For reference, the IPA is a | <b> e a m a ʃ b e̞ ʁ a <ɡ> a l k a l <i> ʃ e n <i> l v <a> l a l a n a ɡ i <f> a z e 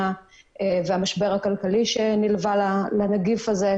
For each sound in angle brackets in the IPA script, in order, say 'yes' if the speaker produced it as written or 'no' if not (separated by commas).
no, no, yes, yes, yes, yes